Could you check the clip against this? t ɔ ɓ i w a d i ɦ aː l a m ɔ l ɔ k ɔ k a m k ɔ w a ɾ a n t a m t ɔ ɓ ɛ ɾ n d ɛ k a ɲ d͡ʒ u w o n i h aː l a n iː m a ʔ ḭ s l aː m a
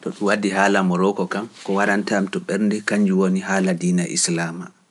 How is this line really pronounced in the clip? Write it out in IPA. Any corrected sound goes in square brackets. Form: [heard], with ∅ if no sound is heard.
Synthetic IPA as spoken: t ɔ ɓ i w a d i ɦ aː l a m ɔ [ɾ] ɔ k ɔ k a m k ɔ w a ɾ a n t a m t ɔ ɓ ɛ ɾ n d ɛ k a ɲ d͡ʒ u w o n i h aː l a [d] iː [n] a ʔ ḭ s l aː m a